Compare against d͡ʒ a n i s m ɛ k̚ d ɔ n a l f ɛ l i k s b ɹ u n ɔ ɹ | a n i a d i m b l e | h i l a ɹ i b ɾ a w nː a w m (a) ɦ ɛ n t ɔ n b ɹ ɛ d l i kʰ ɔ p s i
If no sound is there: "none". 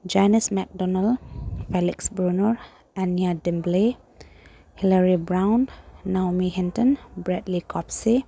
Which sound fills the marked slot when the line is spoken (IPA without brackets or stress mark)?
i